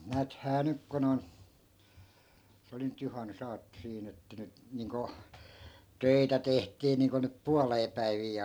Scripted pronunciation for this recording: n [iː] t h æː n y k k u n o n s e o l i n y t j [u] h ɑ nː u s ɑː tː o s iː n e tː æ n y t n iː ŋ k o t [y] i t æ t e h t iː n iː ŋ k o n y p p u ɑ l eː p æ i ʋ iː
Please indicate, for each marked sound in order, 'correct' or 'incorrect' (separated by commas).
incorrect, correct, incorrect